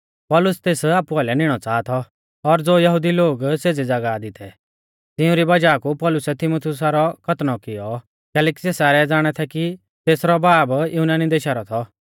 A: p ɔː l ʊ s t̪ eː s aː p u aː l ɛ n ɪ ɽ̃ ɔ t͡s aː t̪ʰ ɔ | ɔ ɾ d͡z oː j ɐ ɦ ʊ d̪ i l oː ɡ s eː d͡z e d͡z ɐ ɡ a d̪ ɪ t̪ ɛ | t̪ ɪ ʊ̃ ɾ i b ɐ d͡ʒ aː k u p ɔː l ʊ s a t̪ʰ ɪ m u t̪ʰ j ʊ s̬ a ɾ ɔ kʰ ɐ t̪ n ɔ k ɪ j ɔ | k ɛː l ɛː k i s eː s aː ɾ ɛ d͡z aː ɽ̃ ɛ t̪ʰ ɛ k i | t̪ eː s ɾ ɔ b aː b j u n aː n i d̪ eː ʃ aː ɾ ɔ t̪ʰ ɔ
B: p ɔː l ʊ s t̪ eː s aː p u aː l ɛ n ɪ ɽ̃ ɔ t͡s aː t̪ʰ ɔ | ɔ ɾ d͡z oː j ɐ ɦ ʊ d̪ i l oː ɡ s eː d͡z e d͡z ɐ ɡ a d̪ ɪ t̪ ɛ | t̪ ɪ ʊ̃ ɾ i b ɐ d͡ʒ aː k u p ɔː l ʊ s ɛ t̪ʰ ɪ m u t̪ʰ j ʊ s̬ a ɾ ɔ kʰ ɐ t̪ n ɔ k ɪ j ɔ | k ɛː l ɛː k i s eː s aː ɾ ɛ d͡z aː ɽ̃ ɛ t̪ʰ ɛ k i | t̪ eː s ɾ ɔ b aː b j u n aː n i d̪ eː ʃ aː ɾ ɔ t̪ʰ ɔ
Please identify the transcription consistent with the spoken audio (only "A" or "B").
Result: B